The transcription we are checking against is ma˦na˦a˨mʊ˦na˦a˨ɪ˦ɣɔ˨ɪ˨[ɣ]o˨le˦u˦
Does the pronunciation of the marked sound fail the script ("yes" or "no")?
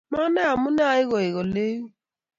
no